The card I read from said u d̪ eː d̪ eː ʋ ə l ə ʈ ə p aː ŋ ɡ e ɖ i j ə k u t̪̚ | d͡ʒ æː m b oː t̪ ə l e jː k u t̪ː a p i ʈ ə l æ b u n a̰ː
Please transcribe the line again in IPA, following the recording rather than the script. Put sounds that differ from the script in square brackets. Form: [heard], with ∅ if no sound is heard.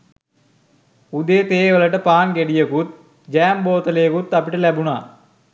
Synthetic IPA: u d̪ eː [t̪] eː ʋ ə l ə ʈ ə p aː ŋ ɡ e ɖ i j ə k u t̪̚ | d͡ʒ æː m b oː t̪ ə l e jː k u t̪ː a p i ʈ ə l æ b u n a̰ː